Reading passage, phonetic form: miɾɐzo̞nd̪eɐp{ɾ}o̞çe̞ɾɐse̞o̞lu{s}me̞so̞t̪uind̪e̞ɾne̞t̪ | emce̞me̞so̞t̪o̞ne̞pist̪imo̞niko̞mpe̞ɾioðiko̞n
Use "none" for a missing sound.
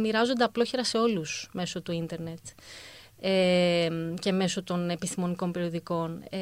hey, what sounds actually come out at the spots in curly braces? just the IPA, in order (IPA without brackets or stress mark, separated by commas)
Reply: l, s